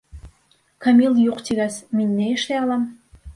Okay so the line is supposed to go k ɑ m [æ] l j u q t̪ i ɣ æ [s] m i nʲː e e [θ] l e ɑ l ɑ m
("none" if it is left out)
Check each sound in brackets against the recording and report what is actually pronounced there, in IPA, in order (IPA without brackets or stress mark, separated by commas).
i, s, ʃ